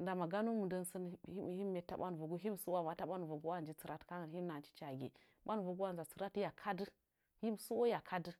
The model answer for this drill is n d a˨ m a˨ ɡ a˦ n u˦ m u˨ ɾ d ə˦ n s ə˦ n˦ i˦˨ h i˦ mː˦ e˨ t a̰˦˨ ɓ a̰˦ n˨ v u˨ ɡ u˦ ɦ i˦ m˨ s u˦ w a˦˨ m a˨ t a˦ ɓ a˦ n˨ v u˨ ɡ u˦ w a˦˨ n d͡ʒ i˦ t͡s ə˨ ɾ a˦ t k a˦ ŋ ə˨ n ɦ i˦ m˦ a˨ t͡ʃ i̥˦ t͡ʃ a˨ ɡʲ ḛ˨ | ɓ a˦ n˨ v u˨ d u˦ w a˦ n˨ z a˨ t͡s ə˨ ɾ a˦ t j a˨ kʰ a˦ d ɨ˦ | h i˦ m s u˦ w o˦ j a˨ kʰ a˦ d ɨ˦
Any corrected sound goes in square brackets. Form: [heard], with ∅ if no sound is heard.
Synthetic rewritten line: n d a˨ m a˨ ɡ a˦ n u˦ m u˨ [∅] d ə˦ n s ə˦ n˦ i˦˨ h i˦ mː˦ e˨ t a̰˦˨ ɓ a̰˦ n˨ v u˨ ɡ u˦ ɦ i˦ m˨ s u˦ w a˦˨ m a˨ t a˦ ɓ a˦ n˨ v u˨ ɡ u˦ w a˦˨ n d͡ʒ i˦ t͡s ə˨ ɾ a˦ t k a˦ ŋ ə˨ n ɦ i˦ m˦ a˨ t͡ʃ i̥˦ t͡ʃ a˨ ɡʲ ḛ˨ | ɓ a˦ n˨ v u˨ [ɡ] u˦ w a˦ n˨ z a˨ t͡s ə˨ ɾ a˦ t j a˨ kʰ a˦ d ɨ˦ | h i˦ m s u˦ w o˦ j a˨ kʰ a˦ d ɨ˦